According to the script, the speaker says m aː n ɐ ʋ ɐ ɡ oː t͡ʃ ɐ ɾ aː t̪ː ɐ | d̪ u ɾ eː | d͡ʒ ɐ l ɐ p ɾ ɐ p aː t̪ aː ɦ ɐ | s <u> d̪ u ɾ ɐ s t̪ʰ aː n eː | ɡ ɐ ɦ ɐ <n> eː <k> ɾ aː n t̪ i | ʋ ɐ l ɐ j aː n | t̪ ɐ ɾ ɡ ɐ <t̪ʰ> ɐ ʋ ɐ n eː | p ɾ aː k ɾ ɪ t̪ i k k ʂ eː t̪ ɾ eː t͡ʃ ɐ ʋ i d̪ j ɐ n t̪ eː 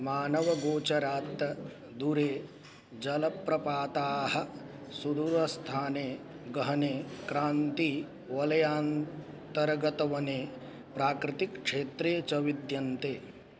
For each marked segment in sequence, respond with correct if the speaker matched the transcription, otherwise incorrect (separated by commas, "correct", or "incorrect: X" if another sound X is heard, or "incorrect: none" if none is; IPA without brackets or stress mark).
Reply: correct, correct, correct, incorrect: t̪